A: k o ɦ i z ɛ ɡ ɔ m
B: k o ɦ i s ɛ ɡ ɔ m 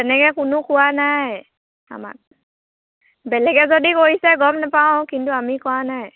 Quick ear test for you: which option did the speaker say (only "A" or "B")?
B